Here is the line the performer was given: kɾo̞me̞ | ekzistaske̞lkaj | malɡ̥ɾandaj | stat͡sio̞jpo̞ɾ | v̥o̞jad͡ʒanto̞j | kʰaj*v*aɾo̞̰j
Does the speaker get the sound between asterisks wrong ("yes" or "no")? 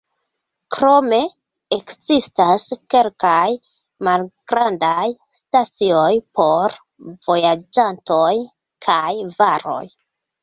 no